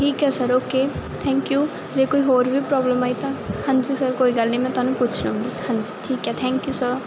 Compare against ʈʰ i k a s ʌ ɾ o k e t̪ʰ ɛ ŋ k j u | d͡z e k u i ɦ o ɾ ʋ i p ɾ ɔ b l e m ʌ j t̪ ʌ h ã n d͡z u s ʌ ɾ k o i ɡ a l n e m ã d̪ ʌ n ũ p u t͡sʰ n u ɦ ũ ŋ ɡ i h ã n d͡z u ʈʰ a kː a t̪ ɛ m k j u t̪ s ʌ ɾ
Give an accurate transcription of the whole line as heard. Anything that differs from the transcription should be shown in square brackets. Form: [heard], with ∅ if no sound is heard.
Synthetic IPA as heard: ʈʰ i k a s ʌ ɾ o k e t̪ʰ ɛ ŋ k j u | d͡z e k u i ɦ o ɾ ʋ i p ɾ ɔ b l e m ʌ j t̪ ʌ h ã n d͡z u s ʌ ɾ k o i ɡ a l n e m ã [t̪] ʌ n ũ p u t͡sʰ n u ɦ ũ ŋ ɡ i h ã n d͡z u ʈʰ [i] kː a [t̪ʰ] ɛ [ŋ] k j u [∅] s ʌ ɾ

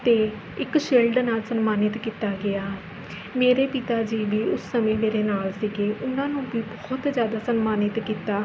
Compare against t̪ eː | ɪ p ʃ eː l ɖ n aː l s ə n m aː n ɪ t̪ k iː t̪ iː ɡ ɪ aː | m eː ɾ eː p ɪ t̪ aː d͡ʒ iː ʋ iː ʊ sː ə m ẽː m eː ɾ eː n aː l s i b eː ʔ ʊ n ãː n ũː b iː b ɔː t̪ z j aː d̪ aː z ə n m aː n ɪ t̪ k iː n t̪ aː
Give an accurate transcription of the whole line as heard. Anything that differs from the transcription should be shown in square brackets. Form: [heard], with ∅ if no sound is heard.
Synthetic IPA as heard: t̪ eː | ɪ [k] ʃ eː l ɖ n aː l s ə n m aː n ɪ t̪ k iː t̪ [aː] ɡ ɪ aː | m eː ɾ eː p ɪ t̪ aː d͡ʒ iː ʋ iː ʊ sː ə m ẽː m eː ɾ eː n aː l s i [ɡ] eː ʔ ʊ n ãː n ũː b iː b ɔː t̪ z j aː d̪ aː [s] ə n m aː n ɪ t̪ k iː [∅] t̪ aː

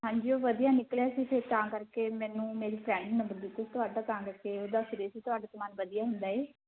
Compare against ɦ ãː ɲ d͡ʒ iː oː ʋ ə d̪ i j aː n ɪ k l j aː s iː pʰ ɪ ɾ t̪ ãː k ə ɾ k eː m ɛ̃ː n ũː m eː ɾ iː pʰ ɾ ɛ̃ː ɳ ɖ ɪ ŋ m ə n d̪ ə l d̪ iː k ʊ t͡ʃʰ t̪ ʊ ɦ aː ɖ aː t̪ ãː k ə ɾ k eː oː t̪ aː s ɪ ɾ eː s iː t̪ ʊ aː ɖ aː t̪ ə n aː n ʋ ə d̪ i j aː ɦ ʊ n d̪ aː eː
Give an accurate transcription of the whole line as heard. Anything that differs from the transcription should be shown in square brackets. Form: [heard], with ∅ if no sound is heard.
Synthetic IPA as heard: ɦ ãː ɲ d͡ʒ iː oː ʋ ə d̪ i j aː n ɪ k l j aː s iː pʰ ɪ ɾ t̪ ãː k ə ɾ k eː m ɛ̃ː n ũː m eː ɾ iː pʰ ɾ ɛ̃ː ɳ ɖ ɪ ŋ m ə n d̪ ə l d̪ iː k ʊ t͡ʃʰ t̪ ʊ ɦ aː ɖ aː t̪ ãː k ə ɾ k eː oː [d̪] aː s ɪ ɾ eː s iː t̪ ʊ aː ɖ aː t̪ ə [m] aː n ʋ ə d̪ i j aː ɦ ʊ n d̪ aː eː

